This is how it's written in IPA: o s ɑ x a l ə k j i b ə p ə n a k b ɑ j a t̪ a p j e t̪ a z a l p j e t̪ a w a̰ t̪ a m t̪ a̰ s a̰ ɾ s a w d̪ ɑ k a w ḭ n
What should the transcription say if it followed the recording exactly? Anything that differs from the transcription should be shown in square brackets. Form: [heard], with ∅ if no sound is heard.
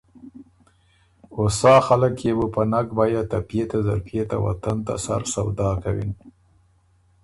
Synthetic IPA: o s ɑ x a l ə k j [e] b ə p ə n a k b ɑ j a t̪ a p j e t̪ a z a [ɾ] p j e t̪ a w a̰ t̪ a [n] t̪ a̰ s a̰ ɾ s a w d̪ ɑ k a w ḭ n